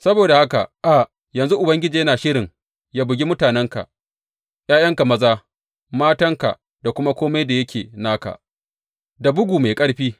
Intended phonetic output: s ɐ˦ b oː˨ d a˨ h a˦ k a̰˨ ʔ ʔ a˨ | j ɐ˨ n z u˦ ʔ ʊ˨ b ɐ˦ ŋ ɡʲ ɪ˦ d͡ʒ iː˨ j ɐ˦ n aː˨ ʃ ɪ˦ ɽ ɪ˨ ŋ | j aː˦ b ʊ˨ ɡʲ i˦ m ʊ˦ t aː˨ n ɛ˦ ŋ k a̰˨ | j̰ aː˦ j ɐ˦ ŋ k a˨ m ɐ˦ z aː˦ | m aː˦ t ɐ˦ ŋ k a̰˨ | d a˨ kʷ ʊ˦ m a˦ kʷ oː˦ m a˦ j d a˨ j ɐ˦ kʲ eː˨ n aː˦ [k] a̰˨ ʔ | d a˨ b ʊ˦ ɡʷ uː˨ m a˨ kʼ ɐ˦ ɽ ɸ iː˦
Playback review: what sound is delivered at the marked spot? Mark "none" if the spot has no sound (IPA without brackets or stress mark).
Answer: k